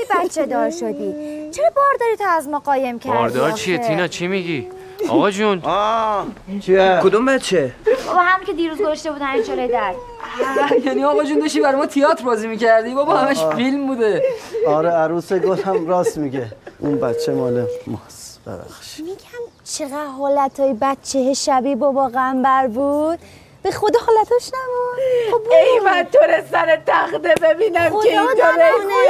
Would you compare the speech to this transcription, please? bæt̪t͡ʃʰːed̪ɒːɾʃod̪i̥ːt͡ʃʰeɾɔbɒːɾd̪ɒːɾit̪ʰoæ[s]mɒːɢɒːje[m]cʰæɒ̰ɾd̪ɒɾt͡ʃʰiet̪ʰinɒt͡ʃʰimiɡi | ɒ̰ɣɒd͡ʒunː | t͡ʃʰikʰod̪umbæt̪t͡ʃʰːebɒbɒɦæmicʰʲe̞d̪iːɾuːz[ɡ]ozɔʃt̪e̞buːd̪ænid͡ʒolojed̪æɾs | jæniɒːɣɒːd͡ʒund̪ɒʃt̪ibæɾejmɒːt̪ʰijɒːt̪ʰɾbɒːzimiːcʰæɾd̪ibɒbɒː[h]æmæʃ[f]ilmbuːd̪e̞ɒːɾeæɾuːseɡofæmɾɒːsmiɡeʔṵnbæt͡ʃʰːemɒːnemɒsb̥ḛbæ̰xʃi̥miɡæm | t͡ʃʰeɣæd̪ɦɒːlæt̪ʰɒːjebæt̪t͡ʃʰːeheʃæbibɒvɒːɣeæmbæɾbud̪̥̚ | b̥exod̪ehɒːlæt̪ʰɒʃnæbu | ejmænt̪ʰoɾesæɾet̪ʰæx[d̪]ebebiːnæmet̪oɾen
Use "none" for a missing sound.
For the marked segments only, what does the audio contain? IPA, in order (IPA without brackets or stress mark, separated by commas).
z, m, ɡ, h, f, d̪